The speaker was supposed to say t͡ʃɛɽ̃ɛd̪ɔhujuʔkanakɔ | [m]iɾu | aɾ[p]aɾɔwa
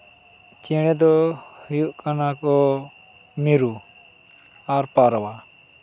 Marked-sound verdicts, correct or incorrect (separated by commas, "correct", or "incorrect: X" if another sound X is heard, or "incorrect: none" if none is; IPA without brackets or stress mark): correct, correct